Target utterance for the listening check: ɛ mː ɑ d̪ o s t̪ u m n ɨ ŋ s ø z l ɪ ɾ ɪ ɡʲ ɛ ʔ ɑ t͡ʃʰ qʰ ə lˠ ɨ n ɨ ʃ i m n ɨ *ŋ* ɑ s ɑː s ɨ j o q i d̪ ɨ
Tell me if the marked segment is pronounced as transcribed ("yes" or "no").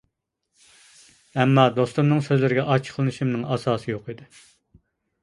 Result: yes